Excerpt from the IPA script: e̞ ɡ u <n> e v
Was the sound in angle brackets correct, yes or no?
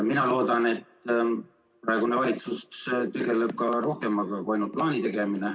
yes